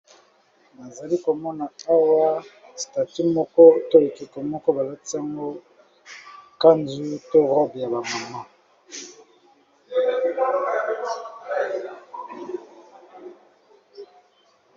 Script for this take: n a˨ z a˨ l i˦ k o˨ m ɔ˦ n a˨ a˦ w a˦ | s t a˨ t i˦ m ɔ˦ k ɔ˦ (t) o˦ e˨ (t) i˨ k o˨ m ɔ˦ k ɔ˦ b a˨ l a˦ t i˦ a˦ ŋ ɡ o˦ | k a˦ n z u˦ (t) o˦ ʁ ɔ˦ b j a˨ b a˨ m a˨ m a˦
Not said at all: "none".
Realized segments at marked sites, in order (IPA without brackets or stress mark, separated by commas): t, k, t